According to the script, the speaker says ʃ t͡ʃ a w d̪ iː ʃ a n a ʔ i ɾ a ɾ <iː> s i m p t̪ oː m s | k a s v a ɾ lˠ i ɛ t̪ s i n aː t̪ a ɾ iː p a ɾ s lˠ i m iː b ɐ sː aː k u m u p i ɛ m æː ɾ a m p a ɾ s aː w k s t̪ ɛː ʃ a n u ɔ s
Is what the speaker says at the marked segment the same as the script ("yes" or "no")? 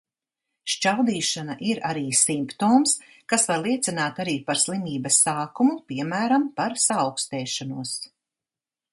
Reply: yes